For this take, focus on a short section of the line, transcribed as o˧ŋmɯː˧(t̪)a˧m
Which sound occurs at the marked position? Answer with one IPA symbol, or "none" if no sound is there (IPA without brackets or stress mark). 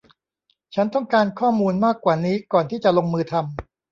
t̪ʰ